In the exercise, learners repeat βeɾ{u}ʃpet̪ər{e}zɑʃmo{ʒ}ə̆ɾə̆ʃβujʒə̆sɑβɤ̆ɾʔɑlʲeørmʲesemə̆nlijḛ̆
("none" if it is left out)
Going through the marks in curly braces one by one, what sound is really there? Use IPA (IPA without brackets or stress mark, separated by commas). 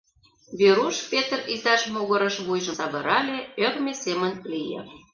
u, i, ɣ